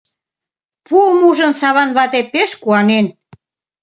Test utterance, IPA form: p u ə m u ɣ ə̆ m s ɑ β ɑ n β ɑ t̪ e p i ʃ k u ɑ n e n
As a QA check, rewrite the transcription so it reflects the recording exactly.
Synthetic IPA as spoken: p u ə m u ʒ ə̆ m s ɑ β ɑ n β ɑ t̪ e p e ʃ k u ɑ n e n